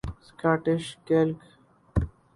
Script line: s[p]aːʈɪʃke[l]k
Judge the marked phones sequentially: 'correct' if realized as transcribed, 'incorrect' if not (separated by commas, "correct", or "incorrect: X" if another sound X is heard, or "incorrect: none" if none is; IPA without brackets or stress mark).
incorrect: k, correct